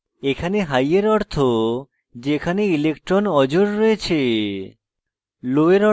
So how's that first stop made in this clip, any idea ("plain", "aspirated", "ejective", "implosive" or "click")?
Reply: aspirated